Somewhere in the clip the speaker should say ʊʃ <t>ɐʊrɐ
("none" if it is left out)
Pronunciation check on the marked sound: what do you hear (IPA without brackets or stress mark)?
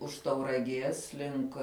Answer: t